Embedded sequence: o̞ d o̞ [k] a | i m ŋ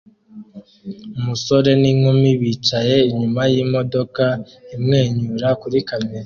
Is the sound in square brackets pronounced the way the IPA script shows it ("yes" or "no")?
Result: yes